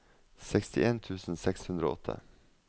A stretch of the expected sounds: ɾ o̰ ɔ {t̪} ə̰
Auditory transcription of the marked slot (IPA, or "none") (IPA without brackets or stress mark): t̪ʰ